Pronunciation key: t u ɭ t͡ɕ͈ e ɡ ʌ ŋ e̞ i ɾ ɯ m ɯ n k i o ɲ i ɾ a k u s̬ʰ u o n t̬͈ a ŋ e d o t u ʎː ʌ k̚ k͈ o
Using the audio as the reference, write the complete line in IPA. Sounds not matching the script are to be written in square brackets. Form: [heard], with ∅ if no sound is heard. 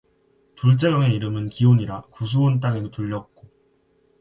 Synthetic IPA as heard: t u ɭ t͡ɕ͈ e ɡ ʌ ŋ e̞ i ɾ ɯ m ɯ n k i o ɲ i ɾ a k u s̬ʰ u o n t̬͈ a ŋ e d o t u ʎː ʌ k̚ k͈ o